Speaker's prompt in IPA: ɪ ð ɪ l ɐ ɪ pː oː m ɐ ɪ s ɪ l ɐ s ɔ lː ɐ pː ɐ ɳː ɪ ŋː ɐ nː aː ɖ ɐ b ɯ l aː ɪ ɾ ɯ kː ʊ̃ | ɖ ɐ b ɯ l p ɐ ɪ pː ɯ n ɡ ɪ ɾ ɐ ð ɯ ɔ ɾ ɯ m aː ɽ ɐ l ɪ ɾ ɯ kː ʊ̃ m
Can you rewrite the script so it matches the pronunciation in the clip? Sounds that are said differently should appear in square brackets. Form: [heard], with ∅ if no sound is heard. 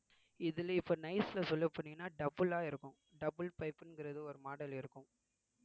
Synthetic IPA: ɪ ð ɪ l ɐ ɪ pː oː [n] ɐ ɪ s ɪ l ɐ s ɔ lː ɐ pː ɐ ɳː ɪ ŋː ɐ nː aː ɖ ɐ b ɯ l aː ɪ ɾ ɯ kː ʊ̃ | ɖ ɐ b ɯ l p ɐ ɪ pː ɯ n ɡ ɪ ɾ ɐ ð ɯ ɔ ɾ ɯ m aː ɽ ɐ l ɪ ɾ ɯ kː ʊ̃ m